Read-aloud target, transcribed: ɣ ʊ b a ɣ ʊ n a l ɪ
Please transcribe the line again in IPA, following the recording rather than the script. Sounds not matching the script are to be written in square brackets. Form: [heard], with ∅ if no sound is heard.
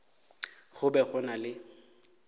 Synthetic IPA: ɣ ʊ b [ɛ] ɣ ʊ n a l ɪ

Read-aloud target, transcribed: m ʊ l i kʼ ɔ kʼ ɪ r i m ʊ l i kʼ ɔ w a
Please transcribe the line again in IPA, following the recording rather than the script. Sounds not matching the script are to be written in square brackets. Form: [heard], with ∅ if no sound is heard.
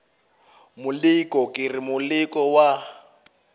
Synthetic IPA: m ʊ l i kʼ ɔ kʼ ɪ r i m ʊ l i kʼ ɔ w a

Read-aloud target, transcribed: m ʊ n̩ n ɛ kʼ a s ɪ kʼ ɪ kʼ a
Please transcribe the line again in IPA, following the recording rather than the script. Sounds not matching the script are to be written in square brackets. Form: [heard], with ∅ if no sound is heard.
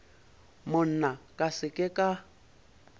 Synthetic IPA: m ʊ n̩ n [a] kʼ a s ɪ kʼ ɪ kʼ a

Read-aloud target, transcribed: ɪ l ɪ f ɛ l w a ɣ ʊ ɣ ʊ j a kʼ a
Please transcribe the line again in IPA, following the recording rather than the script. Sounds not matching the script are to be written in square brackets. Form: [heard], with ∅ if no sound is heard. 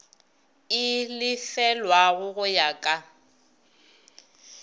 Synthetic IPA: ɪ l ɪ f ɛ l w a ɣ ʊ ɣ ʊ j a kʼ a

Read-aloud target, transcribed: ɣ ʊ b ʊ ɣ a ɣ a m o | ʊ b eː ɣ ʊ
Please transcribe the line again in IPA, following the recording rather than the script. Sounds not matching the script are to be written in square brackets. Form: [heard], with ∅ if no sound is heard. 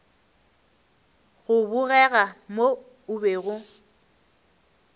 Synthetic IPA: ɣ ʊ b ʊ ɣ [ɛ] ɣ a m o | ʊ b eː ɣ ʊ

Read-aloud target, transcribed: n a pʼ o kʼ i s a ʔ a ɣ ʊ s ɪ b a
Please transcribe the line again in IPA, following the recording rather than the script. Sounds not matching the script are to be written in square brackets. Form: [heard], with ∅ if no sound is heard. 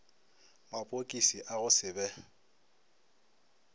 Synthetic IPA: [m] a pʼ o kʼ i s [i] ʔ a ɣ ʊ s ɪ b [ɛ]

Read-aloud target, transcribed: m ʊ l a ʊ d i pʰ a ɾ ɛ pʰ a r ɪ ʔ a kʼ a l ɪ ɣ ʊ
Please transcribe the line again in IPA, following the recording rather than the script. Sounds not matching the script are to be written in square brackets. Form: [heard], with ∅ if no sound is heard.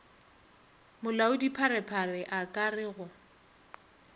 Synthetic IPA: m ʊ l a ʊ d i pʰ a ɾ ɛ pʰ a r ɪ ʔ a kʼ a [r] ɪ ɣ ʊ

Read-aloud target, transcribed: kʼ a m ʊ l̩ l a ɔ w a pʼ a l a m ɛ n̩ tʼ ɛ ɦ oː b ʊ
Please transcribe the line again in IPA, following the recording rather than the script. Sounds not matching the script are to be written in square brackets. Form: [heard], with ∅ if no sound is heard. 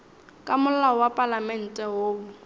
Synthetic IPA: kʼ a m ʊ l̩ l a ɔ w a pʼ a l a m ɛ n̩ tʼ ɛ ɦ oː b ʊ

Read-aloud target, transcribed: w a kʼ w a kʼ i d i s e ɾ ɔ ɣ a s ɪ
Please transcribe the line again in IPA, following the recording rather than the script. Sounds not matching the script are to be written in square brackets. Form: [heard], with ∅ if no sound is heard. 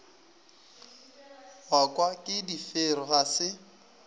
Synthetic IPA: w a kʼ w a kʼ [ɪ] d i [f] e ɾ ɔ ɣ a s ɪ

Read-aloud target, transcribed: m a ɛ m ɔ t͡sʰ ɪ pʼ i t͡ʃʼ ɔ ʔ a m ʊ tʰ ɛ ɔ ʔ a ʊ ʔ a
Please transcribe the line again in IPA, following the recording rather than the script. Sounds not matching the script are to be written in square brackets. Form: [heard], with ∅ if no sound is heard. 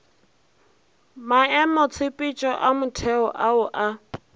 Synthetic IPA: m a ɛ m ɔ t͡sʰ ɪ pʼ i t͡ʃʼ ɔ ʔ a m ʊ tʰ ɛ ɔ ʔ a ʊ ʔ a

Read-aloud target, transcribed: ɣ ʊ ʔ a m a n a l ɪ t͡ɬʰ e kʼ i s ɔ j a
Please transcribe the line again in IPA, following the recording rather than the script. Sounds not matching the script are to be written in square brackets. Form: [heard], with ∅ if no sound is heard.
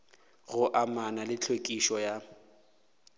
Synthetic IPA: ɣ ʊ ʔ a m a n a l ɪ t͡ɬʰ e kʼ i [ʃ] ɔ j a

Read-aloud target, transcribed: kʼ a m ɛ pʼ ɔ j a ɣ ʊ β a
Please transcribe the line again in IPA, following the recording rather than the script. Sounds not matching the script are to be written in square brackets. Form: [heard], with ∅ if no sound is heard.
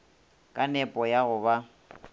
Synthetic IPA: kʼ a [n] ɛ pʼ ɔ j a ɣ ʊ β a

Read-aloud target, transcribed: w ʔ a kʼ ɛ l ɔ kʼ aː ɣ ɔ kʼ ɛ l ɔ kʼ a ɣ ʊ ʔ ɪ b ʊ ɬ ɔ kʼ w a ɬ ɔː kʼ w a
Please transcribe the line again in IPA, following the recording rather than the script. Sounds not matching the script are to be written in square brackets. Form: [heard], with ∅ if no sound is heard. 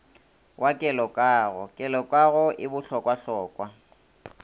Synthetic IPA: w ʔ a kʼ ɛ l ɔ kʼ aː ɣ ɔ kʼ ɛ l ɔ kʼ a ɣ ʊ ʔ ɪ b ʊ ɬ ɔ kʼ w a ɬ ɔː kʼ w a

